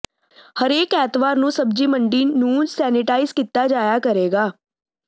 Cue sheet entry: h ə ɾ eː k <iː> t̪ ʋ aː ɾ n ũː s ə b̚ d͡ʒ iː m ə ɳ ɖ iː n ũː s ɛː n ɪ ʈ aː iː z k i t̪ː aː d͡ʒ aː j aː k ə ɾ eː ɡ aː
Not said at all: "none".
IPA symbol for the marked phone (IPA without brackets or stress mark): ɛː